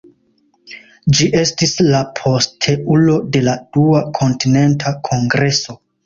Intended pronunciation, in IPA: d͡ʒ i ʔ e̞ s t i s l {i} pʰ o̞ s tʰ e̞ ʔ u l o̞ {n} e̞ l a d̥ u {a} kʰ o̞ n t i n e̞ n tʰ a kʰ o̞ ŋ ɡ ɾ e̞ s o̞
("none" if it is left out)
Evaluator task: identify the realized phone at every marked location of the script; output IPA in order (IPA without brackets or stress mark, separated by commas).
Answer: a, d, a